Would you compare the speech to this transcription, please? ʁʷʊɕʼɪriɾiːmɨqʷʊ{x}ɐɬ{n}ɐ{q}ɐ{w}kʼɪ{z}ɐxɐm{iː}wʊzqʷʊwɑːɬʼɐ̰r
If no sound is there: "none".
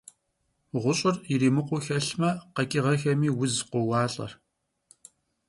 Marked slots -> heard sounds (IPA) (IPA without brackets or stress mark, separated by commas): x, m, q, none, ʁ, iː